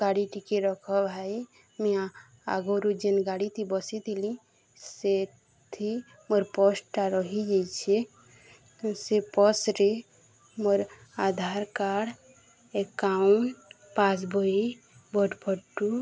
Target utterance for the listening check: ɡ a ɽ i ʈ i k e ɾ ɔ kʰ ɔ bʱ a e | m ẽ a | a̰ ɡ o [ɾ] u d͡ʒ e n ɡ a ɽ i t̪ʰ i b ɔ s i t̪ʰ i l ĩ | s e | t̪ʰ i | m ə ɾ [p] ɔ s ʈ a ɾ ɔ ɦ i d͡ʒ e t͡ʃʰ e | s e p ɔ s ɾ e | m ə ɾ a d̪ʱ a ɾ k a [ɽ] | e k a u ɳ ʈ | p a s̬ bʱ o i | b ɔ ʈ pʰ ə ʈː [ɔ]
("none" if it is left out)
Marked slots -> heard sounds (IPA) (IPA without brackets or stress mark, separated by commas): ɾ, p, ɽ, u